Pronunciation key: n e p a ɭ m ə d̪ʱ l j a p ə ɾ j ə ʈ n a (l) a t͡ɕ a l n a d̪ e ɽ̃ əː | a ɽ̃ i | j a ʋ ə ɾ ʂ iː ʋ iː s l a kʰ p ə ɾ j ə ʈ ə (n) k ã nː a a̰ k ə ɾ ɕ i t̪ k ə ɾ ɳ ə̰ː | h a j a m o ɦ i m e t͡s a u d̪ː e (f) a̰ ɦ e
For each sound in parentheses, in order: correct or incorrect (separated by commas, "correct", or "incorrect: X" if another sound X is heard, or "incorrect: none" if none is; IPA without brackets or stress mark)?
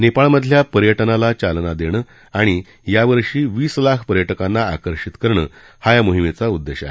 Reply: correct, incorrect: none, incorrect: ɕ